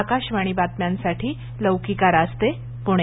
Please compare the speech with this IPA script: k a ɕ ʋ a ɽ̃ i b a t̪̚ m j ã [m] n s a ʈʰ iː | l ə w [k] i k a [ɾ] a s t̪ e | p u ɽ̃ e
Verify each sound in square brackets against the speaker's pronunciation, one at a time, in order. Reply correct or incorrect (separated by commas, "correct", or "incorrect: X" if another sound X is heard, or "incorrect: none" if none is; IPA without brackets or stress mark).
incorrect: none, correct, correct